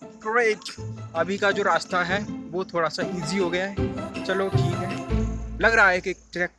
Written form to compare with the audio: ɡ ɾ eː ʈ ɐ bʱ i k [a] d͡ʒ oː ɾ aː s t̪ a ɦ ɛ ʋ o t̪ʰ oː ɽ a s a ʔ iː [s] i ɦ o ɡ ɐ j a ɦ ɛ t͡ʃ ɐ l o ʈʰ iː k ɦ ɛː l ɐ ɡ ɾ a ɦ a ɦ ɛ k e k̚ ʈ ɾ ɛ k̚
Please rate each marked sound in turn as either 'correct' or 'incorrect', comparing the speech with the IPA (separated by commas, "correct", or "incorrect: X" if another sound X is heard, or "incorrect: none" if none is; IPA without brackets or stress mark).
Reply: correct, incorrect: z